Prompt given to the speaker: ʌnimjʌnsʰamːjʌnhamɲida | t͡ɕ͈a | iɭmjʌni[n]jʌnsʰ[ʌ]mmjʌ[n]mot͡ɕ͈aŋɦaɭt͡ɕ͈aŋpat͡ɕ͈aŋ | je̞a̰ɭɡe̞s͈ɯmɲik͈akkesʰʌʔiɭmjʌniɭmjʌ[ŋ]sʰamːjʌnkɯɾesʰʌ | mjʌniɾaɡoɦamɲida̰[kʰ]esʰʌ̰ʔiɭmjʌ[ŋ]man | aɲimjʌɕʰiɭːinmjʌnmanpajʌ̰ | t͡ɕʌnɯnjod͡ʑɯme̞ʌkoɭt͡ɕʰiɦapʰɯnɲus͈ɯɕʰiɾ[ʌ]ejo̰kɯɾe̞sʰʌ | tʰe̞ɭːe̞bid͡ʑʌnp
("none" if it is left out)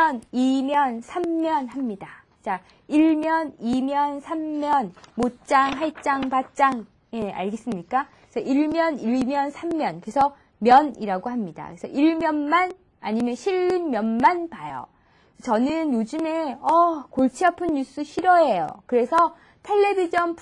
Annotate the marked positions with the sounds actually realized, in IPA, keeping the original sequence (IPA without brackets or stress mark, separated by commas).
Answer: m, a, n, n, k, n, ʌ